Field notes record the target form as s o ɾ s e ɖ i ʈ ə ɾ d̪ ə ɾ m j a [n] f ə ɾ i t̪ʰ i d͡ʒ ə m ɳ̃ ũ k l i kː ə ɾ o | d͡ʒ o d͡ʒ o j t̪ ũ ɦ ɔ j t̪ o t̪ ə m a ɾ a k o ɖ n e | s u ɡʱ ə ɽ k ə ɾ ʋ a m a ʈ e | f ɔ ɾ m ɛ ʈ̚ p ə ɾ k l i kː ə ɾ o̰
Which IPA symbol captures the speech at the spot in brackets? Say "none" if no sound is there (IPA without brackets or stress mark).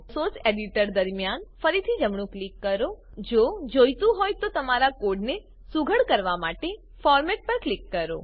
n